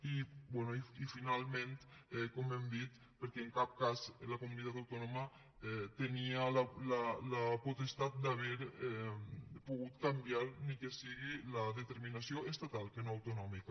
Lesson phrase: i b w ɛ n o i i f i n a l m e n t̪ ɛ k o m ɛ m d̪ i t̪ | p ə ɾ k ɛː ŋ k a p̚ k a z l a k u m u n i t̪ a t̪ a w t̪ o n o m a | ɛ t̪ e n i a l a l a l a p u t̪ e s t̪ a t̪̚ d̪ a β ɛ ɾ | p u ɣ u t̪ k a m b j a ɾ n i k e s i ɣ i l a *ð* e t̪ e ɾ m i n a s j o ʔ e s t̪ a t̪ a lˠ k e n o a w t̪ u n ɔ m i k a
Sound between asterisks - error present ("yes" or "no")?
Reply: no